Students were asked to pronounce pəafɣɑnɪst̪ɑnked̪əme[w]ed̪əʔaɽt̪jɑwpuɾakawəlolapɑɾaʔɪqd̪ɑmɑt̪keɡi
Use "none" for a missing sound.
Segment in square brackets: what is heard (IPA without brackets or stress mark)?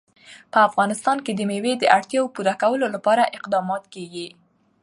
w